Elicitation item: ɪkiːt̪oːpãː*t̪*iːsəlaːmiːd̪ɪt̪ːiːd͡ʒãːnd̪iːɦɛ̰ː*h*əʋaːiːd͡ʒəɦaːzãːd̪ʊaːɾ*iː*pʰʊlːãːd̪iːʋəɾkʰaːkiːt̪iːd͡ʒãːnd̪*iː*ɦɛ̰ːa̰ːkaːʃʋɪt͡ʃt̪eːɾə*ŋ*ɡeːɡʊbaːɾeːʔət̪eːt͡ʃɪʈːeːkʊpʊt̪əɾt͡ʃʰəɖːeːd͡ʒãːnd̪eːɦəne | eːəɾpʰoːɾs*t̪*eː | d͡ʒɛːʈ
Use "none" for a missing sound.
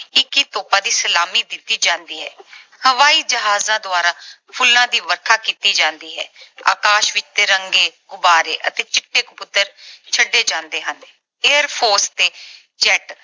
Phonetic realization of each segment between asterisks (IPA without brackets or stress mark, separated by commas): d̪, h, aː, iː, ŋ, t̪